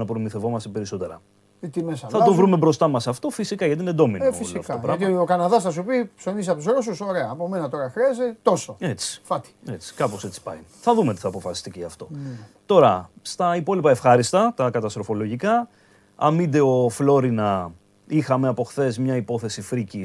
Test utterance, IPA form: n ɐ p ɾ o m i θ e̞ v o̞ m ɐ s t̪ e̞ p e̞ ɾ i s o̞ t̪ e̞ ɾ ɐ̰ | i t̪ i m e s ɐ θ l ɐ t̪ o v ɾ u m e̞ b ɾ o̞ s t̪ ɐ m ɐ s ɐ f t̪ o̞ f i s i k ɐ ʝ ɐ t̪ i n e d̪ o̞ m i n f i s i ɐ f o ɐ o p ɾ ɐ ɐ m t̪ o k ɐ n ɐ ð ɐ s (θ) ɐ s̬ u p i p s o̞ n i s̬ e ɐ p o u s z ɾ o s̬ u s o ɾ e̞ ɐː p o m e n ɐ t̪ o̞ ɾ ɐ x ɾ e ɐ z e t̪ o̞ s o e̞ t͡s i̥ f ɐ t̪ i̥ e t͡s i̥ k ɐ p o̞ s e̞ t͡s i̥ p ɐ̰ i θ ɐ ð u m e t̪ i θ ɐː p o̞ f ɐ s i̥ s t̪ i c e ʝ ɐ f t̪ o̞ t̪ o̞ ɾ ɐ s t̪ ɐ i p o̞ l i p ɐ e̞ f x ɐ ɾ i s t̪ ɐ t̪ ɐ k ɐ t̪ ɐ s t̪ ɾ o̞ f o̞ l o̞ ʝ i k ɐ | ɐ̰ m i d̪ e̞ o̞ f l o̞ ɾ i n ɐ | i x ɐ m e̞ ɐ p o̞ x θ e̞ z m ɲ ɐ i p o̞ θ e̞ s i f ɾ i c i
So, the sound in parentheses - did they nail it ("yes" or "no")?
yes